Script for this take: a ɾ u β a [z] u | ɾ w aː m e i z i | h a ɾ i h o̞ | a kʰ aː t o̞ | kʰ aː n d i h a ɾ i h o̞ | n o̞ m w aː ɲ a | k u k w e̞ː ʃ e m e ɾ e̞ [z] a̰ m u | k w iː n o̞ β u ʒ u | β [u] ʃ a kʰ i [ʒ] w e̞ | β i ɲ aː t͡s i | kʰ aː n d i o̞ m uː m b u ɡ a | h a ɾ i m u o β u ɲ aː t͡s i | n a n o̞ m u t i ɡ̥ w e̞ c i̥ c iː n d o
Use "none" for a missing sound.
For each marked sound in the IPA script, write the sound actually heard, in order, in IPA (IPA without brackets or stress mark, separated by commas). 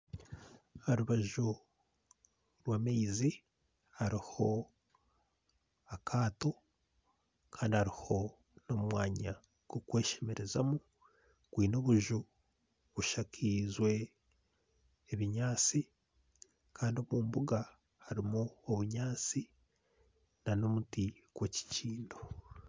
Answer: ʒ, z, u, z